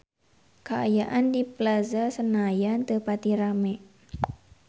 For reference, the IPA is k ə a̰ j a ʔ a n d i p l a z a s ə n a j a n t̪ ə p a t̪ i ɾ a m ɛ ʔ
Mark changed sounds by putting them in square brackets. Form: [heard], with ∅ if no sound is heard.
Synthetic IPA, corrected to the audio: k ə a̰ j a ʔ a n d i p l a z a s ə n a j a n t̪ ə p a t̪ i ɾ a m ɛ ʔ